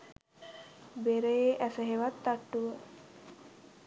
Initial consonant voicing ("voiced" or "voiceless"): voiced